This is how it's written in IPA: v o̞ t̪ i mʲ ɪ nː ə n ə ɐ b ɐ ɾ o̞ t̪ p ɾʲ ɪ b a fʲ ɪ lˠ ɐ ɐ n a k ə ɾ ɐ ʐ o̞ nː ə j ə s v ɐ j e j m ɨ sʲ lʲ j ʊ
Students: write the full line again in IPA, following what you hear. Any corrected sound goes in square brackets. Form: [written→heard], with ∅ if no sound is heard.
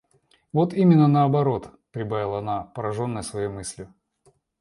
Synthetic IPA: v o̞ t̪ i mʲ ɪ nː ə n ə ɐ b ɐ ɾ o̞ t̪ p ɾʲ ɪ b a [fʲ→vʲ] ɪ lˠ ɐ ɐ n a [k→p] ə ɾ ɐ ʐ o̞ nː ə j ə s v ɐ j e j m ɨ sʲ lʲ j ʊ

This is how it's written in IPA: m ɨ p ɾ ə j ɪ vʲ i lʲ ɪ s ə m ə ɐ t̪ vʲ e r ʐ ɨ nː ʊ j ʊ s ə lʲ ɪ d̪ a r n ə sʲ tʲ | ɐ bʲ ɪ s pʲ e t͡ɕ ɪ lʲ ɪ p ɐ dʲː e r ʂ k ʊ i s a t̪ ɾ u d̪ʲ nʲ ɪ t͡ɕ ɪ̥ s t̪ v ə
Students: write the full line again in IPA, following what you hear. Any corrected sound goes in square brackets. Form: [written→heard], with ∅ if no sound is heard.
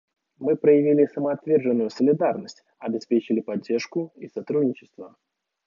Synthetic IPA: m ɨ p ɾ ə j ɪ vʲ i lʲ ɪ s ə m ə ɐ t̪ vʲ e r ʐ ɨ nː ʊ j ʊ s ə lʲ ɪ d̪ a r n ə sʲ tʲ | ɐ bʲ ɪ s pʲ e t͡ɕ ɪ lʲ ɪ p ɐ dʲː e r ʂ k ʊ i s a t̪ ɾ u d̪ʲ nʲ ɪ t͡ɕ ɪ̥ s t̪ v ə

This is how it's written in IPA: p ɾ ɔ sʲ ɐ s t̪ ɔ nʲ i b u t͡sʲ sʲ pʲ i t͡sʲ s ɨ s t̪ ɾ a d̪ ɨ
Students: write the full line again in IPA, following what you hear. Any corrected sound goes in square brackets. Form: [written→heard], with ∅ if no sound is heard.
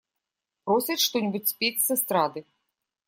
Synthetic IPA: p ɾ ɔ sʲ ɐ [s→ʂ] t̪ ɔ nʲ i b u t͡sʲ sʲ pʲ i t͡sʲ s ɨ s t̪ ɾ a d̪ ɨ

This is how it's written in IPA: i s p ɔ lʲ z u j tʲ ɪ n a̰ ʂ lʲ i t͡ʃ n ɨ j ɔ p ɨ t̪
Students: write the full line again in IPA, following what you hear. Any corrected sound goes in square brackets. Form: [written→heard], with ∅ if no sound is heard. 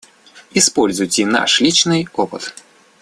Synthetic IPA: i s p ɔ lʲ z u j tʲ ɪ n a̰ ʂ lʲ i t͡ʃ n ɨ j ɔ p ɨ t̪

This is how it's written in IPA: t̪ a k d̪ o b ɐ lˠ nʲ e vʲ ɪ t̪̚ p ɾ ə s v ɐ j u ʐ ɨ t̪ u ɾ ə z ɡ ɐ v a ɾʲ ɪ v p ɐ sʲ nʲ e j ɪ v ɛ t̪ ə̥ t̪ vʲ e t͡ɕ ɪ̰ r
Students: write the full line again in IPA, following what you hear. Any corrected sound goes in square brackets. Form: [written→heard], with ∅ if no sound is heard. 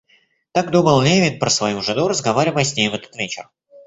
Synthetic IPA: t̪ a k d̪ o b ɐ lˠ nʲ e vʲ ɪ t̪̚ p ɾ ə s v ɐ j u ʐ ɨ [t̪→d̪] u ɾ ə z ɡ ɐ v a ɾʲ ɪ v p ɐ sʲ nʲ e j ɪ v ɛ t̪ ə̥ t̪ vʲ e t͡ɕ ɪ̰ r

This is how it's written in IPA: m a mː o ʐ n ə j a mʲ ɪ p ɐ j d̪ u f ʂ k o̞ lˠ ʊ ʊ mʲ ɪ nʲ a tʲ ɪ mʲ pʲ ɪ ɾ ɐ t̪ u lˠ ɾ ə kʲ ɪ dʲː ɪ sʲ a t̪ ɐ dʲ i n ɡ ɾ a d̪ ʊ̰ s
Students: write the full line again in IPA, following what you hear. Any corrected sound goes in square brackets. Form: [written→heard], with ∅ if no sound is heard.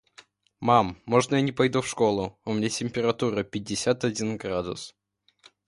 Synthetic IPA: m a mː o ʐ n ə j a [mʲ→nʲ] ɪ p ɐ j d̪ u f ʂ k o̞ lˠ ʊ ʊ mʲ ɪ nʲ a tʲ ɪ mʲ pʲ ɪ ɾ ɐ t̪ u [lˠ→∅] ɾ ə [kʲ→pʲ] ɪ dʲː ɪ sʲ a t̪ ɐ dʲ i n ɡ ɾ a d̪ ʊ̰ s

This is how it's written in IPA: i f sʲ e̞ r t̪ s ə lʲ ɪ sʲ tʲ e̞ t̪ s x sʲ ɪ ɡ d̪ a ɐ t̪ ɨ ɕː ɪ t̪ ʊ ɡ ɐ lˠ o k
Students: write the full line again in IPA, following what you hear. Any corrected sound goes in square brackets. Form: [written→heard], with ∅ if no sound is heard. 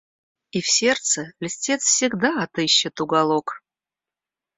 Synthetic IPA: i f sʲ e̞ r t̪ s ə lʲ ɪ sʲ tʲ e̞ t̪ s [x→f] sʲ ɪ ɡ d̪ a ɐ t̪ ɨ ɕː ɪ t̪ ʊ ɡ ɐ lˠ o k

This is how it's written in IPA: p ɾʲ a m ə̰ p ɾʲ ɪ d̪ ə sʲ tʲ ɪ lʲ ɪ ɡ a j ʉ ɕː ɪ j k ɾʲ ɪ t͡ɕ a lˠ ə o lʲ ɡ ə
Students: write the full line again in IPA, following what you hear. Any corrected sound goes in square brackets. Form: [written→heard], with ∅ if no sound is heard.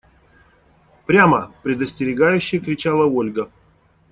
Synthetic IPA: p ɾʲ a m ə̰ p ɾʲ ɪ d̪ ə sʲ tʲ ɪ [lʲ→ɾʲ] ɪ ɡ a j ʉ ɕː ɪ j k ɾʲ ɪ t͡ɕ a lˠ ə o lʲ ɡ ə

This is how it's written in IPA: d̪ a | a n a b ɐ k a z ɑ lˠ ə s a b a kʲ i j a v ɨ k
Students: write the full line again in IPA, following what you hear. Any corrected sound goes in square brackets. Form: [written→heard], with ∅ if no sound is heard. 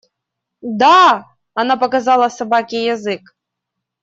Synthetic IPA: d̪ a | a n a [b→p] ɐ k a z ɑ lˠ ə s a b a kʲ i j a [v→z] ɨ k

